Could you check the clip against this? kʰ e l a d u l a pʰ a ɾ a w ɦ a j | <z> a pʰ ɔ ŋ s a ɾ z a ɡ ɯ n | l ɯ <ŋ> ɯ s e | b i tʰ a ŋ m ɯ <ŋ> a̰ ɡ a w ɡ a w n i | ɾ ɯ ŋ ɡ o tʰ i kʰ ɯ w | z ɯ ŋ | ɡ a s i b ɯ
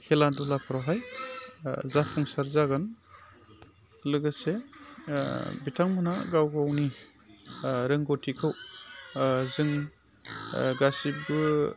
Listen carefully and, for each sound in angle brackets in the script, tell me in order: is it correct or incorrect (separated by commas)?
correct, incorrect, incorrect